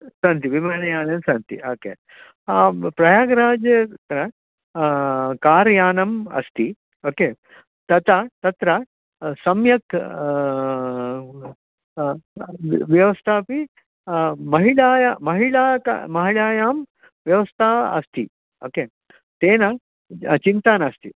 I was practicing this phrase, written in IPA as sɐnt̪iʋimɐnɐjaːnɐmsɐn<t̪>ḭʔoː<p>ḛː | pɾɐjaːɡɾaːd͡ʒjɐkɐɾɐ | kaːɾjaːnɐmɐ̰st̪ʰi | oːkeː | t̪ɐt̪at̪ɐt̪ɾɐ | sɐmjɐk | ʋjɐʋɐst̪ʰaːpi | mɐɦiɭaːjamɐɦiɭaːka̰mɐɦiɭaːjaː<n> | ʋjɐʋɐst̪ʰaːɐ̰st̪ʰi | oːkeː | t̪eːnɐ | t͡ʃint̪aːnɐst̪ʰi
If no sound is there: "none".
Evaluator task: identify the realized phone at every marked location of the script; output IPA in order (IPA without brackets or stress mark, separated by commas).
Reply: t̪, k, m